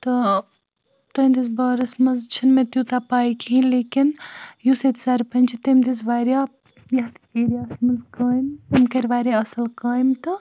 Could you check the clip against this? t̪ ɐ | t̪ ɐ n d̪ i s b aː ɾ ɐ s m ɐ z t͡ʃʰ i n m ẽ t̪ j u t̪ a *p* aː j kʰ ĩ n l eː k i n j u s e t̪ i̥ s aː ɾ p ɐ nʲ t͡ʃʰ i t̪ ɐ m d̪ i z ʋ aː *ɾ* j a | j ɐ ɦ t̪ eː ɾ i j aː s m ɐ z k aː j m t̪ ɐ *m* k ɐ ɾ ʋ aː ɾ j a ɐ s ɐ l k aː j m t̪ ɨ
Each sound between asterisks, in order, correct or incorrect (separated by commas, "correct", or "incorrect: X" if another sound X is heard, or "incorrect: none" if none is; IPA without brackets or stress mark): correct, correct, correct